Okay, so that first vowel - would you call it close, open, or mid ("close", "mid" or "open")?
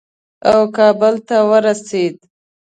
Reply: open